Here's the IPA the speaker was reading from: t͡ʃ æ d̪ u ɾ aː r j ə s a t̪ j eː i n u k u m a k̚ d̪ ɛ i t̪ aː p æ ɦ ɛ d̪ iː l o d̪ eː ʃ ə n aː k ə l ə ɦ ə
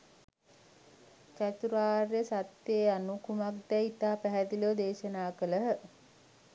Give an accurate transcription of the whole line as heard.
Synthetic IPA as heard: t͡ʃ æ t̪ u ɾ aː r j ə s a t̪ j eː a n u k u m a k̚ d̪ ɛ i t̪ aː p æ ɦ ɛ d̪ i l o d̪ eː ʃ ə n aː k ə l ə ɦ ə